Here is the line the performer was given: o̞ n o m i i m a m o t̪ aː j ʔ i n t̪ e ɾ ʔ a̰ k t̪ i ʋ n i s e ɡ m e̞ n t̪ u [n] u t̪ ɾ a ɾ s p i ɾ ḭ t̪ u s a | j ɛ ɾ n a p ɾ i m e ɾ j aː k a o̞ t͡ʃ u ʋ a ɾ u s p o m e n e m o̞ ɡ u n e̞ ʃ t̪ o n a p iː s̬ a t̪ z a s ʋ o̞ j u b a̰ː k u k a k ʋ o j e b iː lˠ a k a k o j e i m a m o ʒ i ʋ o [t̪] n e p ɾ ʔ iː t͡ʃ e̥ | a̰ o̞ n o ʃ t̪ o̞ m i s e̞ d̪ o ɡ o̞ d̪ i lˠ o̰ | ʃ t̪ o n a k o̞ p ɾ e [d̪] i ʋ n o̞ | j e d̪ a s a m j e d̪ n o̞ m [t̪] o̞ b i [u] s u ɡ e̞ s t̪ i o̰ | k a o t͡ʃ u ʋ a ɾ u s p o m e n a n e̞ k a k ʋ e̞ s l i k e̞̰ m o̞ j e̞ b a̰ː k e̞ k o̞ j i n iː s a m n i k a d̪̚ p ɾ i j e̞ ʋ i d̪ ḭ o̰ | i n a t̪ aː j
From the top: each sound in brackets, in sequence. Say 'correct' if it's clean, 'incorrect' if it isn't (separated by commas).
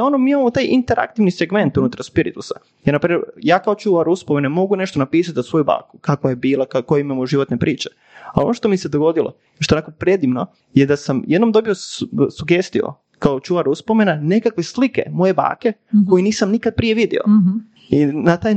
correct, correct, correct, incorrect, incorrect